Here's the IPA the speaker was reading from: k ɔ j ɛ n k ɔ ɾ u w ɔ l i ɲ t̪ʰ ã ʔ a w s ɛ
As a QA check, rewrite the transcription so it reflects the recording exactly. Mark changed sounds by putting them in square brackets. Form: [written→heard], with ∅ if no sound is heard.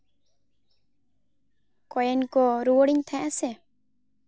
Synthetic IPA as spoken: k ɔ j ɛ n k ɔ ɾ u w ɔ [l→ɽ] i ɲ t̪ʰ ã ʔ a [w→∅] s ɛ